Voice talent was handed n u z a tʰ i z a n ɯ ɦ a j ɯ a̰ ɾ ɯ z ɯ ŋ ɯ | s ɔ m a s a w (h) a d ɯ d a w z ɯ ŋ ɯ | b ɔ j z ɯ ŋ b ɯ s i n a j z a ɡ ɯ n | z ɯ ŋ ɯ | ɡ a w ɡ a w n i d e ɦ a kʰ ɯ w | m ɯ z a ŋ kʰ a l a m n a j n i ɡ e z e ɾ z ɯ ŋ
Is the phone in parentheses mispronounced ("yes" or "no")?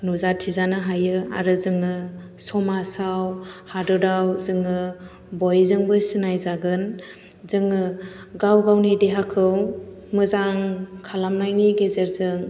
no